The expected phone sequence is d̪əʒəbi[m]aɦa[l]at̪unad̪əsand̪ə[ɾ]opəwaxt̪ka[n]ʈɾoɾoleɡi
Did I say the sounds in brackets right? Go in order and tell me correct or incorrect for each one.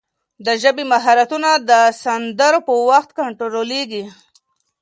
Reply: correct, incorrect, correct, incorrect

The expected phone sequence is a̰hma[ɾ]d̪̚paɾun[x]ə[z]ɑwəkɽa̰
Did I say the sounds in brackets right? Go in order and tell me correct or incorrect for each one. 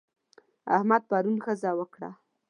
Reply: incorrect, correct, correct

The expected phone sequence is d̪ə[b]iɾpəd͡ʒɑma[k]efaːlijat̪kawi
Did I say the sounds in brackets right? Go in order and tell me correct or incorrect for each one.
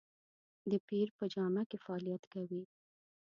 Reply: incorrect, correct

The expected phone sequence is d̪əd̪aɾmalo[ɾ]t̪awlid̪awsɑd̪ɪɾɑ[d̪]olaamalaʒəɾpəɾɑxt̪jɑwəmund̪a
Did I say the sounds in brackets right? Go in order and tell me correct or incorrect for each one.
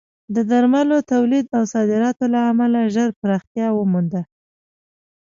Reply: incorrect, incorrect

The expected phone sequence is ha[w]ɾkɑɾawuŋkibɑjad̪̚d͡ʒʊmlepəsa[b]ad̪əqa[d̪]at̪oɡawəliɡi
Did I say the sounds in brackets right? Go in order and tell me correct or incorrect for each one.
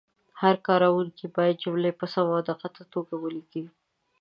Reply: incorrect, incorrect, incorrect

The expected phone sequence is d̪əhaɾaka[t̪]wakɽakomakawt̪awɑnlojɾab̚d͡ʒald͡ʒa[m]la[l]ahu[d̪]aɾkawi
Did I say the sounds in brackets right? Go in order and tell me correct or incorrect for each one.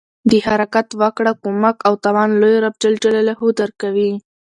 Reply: correct, incorrect, correct, correct

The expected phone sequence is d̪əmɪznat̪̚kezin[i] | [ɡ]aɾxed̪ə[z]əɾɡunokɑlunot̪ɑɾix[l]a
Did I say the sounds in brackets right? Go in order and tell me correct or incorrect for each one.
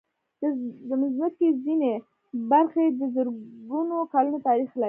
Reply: incorrect, incorrect, correct, correct

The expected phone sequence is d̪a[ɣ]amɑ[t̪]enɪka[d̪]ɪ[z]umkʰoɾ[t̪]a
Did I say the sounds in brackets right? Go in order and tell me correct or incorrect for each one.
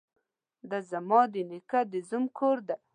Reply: incorrect, incorrect, correct, correct, incorrect

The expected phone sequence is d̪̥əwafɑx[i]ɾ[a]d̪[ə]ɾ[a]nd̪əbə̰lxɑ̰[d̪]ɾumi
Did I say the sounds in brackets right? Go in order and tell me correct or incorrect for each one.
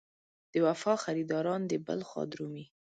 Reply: incorrect, incorrect, incorrect, incorrect, correct

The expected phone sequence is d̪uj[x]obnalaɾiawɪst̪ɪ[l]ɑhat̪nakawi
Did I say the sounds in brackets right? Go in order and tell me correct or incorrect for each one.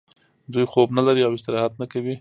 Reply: correct, incorrect

